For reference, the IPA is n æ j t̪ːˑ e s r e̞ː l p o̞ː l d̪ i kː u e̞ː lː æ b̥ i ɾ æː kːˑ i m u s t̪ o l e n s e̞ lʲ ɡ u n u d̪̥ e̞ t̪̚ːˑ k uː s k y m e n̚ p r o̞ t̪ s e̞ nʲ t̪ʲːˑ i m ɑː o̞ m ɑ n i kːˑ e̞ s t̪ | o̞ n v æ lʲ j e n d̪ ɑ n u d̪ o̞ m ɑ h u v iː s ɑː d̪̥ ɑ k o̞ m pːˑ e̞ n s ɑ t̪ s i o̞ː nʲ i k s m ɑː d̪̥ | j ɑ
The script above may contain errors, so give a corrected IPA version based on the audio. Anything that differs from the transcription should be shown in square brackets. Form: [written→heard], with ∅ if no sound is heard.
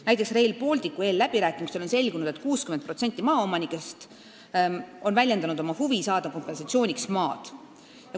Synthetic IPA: n æ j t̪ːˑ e s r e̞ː l p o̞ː l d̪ i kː u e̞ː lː æ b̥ i ɾ æː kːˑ i m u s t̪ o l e n s e̞ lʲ ɡ u n u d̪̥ e̞ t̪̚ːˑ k uː s k y m e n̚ p r o̞ t̪ s e̞ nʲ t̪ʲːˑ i m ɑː o̞ m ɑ n i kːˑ e̞ s t̪ | o̞ n v æ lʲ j e n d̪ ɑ n u d̪ o̞ m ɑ h u v [iː→i] s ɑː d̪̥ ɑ k o̞ m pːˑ e̞ n s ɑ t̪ s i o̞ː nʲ i k s m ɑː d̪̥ | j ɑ